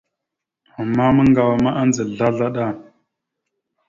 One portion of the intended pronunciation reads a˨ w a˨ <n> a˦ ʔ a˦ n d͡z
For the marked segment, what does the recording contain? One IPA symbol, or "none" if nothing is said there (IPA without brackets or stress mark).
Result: m